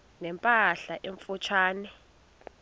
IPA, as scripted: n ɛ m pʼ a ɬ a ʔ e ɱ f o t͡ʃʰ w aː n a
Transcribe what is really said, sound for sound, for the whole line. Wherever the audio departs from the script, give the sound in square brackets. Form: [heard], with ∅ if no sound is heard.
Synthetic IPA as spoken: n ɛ m pʼ a ɬ a ʔ e ɱ f [u] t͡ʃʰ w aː n [ɛ]

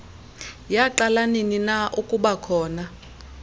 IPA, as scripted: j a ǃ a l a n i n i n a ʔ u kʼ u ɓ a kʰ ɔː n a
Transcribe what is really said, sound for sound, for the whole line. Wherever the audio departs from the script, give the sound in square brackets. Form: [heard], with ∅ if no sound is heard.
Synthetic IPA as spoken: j a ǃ a l a n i n i n a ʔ u kʼ u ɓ a kʰ ɔː n a

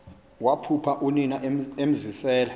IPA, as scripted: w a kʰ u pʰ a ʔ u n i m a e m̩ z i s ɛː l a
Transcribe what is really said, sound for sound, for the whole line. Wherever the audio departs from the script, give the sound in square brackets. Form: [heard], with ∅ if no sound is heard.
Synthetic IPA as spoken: w a [pʰ] u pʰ a ʔ u n i [n] a e m̩ z i s ɛː l a

